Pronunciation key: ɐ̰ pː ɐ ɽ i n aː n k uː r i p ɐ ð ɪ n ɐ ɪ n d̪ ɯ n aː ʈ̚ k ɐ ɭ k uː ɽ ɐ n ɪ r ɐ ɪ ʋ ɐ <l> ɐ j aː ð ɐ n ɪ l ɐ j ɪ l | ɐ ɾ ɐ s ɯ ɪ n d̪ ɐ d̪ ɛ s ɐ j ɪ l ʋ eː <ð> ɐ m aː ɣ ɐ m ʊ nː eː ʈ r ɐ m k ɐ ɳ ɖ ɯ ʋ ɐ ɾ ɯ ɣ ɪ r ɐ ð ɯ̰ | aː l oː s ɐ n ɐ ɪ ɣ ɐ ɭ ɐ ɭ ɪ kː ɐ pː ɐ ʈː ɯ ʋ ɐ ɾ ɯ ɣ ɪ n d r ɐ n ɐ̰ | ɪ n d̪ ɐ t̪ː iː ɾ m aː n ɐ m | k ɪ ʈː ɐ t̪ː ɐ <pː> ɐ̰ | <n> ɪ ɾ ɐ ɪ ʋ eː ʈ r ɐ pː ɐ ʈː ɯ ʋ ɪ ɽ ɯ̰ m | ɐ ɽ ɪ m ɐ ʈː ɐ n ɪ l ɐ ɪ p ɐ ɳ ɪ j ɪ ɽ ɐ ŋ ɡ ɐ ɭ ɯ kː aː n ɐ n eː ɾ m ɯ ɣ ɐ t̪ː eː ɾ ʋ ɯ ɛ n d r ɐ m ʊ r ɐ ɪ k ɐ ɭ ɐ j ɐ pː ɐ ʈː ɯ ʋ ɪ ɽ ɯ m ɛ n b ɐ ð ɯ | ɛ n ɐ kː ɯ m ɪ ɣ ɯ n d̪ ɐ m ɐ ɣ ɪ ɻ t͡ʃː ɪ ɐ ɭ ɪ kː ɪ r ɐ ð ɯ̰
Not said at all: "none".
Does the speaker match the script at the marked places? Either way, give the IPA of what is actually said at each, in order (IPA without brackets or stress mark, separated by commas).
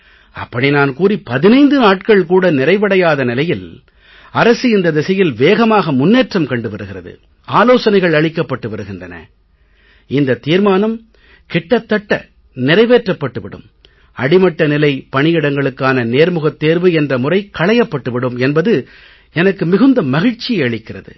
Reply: ɽ, ɣ, ʈː, n